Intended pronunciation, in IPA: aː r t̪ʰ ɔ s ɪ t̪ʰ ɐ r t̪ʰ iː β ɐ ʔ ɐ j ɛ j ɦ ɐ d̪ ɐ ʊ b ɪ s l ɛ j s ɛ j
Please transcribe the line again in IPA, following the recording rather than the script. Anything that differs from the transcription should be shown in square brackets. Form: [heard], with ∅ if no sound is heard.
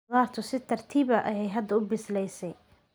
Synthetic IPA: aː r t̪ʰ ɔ s ɪ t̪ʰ ɐ r t̪ʰ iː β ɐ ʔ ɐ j ɛ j ɦ ɐ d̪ ɐ ʊ b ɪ s l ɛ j s ɛ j